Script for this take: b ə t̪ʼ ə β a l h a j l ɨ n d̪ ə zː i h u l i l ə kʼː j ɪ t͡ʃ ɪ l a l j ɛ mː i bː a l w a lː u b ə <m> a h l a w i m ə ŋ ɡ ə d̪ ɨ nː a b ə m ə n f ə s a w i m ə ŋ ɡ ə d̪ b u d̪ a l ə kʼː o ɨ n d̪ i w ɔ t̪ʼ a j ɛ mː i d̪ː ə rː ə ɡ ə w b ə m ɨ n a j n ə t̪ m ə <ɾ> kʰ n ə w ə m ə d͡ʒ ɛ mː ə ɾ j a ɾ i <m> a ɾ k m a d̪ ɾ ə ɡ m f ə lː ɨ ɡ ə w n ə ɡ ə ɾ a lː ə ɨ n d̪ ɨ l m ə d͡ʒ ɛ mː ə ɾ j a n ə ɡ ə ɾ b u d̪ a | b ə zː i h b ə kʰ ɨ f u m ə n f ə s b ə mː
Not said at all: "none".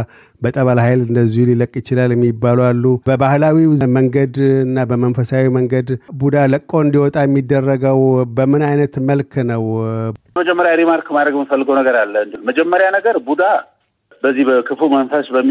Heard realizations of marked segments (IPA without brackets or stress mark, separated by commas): b, l, m